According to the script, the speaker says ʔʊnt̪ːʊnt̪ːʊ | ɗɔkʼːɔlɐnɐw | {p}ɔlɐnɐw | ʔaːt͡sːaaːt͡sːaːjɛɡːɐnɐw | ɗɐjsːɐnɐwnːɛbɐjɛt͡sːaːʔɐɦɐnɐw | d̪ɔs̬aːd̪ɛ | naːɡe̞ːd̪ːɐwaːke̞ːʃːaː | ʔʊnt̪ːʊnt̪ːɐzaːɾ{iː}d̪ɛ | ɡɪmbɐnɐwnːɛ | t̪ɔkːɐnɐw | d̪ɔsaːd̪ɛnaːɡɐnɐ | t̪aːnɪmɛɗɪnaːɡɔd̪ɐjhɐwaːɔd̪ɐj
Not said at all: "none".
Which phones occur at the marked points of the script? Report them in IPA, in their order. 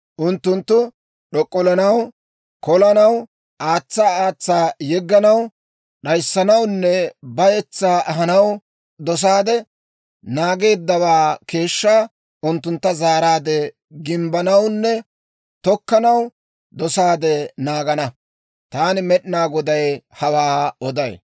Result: k, aː

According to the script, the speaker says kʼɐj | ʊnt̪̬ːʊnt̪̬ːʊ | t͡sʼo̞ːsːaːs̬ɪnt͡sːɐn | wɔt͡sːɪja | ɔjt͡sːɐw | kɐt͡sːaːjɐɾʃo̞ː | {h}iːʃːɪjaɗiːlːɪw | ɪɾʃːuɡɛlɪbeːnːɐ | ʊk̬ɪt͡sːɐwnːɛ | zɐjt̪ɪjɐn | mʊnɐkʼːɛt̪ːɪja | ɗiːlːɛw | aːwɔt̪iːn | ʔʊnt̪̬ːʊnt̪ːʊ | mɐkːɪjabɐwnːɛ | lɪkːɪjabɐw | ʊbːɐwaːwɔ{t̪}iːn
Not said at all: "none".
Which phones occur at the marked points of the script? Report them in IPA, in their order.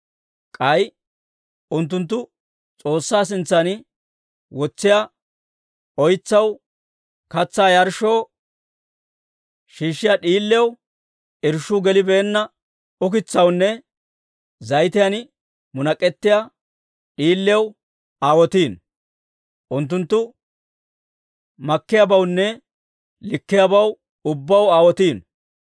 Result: ʃ, t̪

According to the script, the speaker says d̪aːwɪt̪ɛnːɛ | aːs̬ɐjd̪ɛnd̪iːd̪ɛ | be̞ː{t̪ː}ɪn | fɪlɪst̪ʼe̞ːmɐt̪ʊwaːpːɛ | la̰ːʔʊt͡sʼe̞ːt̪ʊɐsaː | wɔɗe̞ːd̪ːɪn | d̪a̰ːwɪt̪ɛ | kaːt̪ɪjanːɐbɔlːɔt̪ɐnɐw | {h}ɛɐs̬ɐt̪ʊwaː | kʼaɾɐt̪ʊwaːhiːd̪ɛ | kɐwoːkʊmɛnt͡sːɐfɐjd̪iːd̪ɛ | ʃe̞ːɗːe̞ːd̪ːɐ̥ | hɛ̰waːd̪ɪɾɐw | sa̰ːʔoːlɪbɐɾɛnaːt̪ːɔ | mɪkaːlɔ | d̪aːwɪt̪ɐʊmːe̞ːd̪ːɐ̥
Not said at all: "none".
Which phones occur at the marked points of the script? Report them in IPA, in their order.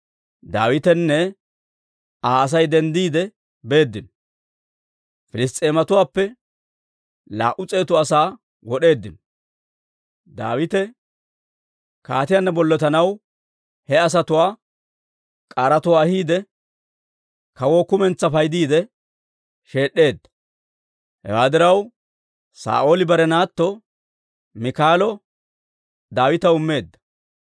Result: d̪ː, h

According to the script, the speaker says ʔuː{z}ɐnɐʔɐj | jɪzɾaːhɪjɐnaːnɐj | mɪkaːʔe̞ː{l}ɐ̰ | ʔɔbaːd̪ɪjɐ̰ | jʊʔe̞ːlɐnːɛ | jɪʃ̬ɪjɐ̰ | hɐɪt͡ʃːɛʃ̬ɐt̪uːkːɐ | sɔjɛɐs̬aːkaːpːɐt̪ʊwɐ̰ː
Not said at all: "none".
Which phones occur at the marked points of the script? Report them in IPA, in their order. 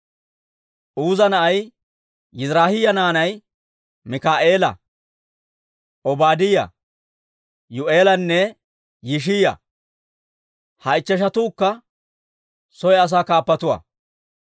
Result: z, l

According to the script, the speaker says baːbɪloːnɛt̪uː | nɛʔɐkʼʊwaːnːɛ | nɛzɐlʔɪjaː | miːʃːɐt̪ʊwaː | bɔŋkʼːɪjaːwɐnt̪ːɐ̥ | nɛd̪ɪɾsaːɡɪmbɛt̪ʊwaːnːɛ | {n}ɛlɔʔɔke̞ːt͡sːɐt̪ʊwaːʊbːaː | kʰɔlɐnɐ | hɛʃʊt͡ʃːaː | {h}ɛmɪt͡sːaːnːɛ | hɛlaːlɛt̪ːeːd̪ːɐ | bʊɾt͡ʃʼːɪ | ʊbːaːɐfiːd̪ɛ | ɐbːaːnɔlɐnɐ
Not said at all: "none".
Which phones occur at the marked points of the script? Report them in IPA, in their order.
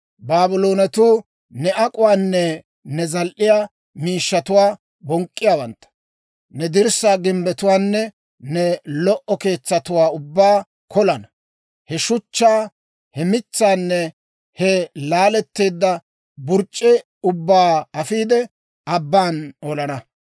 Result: n, h

